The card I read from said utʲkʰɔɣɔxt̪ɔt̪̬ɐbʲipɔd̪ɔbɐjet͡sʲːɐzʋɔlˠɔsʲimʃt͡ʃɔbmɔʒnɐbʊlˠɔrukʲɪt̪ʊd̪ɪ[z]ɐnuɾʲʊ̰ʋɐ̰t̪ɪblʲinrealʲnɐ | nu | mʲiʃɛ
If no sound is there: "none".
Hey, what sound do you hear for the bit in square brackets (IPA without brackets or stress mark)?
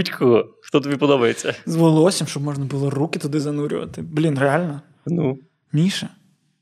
z